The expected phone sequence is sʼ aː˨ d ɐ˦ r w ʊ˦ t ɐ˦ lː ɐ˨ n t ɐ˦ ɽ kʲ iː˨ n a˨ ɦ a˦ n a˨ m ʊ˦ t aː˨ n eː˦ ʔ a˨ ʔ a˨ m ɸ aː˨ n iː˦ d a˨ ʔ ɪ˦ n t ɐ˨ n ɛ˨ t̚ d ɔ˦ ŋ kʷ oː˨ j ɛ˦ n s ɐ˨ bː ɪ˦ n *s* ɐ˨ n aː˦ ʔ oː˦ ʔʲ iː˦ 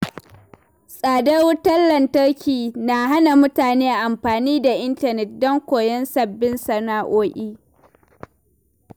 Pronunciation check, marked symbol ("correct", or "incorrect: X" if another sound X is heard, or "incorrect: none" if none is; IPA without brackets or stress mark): correct